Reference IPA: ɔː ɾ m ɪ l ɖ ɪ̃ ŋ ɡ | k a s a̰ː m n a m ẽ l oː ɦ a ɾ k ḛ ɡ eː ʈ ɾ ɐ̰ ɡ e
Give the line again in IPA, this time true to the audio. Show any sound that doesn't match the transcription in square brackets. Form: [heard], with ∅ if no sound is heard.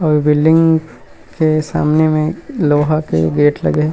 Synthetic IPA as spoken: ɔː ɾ [b] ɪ l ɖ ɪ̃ ŋ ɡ | k [e] s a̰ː m n [e] m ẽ l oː ɦ a [∅] k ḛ ɡ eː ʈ [l] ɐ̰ ɡ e